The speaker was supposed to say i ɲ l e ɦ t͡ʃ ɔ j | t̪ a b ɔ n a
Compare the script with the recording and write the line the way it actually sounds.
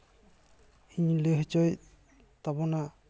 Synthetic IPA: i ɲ l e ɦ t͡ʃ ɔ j | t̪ a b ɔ n a